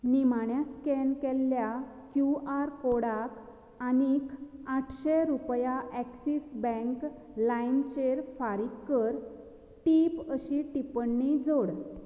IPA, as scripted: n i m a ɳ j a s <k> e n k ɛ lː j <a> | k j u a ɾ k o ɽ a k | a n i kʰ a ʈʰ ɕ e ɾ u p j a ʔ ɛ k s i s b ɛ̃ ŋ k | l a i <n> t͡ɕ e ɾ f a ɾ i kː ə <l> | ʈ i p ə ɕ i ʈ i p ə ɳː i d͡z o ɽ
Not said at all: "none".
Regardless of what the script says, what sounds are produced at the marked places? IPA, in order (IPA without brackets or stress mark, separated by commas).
k, a, n, ɾ